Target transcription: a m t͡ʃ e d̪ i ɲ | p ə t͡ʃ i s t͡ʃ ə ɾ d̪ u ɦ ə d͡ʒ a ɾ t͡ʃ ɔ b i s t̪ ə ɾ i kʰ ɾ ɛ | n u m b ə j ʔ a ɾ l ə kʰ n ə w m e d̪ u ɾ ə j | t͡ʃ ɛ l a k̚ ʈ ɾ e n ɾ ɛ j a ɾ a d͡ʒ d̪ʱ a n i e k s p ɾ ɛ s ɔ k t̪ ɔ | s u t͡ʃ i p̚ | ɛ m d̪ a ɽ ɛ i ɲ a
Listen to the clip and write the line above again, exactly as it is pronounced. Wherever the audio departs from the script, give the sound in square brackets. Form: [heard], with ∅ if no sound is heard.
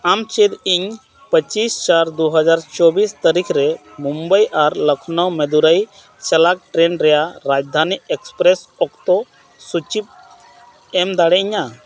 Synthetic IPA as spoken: a m t͡ʃ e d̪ i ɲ | p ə t͡ʃ i s t͡ʃ [a] ɾ d̪ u ɦ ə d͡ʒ a ɾ t͡ʃ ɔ b i s t̪ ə ɾ i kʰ ɾ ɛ | [m] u m b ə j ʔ a ɾ l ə kʰ n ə w m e d̪ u ɾ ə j | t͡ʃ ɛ l a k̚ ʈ ɾ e n ɾ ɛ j a ɾ a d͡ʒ d̪ʱ a n i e k s p ɾ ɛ s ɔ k t̪ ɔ | s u t͡ʃ i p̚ | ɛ m d̪ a ɽ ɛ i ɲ a